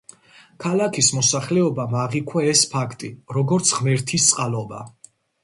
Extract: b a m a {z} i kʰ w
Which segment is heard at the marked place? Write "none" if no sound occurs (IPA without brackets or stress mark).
ʁ